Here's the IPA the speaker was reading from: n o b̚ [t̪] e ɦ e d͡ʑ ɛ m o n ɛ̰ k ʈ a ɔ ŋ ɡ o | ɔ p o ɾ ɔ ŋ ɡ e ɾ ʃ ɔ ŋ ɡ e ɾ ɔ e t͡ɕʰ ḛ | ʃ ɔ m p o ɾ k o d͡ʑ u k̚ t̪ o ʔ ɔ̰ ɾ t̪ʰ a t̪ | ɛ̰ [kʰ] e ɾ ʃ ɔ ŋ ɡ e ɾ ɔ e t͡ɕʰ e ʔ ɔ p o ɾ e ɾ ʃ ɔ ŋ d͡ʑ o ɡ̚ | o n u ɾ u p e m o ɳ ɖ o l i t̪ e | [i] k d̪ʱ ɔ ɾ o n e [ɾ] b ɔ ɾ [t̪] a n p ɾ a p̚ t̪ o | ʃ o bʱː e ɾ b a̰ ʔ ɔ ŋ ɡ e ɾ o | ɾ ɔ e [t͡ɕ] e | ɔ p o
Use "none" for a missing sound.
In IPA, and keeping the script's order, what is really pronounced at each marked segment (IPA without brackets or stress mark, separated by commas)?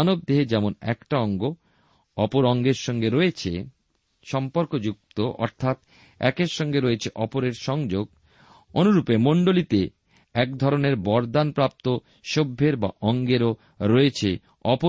d̪, k, ɛ, ɾ, d̪, t͡ɕʰ